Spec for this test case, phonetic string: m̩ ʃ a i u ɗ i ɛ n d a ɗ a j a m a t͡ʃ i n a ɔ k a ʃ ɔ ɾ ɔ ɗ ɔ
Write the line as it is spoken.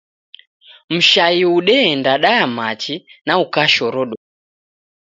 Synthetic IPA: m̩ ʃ a i u ɗ ɛ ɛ n d a ɗ a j a m a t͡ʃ i n a u k a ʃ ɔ ɾ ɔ ɗ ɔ